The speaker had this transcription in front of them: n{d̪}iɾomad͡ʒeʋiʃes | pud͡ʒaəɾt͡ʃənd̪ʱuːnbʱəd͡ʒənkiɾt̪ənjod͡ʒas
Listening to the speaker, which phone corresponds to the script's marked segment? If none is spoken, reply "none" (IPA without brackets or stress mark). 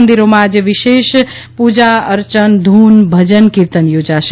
d̪